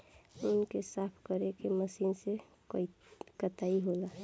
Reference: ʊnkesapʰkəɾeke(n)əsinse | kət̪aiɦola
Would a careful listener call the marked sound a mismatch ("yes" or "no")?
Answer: yes